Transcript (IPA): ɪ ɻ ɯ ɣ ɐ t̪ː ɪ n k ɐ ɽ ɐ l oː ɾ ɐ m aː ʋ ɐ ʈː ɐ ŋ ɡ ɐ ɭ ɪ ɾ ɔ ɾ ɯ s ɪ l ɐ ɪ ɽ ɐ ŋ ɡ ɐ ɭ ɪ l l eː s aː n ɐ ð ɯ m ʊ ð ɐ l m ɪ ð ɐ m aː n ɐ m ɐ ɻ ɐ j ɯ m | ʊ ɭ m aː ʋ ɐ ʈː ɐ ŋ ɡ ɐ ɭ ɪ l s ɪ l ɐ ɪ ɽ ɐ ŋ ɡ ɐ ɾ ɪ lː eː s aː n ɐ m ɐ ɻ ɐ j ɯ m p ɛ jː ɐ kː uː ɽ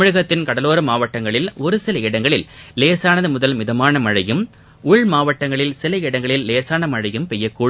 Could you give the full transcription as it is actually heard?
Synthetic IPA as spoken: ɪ ɻ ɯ ɣ ɐ t̪ː ɪ n k ɐ ɽ ɐ l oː ɾ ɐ m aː ʋ ɐ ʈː ɐ ŋ ɡ ɐ ɭ ɪ l ɔ ɾ ɯ s ɪ l ɐ ɪ ɽ ɐ ŋ ɡ ɐ ɭ ɪ l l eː s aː n ɐ ð ɯ m ʊ ð ɐ l m ɪ ð ɐ m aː n ɐ m ɐ ɻ ɐ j ɯ m | ʊ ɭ m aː ʋ ɐ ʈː ɐ ŋ ɡ ɐ ɭ ɪ l s ɪ l ɐ ɪ ɽ ɐ ŋ ɡ ɐ ɭ ɪ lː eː s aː n ɐ m ɐ ɻ ɐ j ɯ m p ɛ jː ɐ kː uː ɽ